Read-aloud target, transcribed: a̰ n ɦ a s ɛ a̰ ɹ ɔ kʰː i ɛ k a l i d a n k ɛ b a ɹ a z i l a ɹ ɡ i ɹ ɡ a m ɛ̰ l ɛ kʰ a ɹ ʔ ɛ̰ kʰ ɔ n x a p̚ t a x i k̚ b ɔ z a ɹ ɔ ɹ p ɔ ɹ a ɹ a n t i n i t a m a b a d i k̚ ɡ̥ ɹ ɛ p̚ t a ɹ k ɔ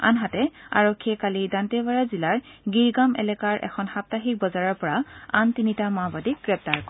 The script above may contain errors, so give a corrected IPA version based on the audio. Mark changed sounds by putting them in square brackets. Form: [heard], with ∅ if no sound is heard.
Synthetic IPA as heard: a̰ n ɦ a [t] ɛ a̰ ɹ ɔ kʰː i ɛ k a l i d a n [t] ɛ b a ɹ a z i l a ɹ ɡ i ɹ ɡ a m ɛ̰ l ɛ [k] a ɹ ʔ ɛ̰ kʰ ɔ n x a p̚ t a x i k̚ b ɔ z a ɹ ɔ ɹ p ɔ ɹ a [∅] a n t i n i t a m a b a d i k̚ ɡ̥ ɹ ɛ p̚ t a ɹ k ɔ